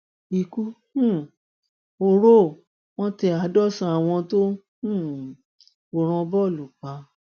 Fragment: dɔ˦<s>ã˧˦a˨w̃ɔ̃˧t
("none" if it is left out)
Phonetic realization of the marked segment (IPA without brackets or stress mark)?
s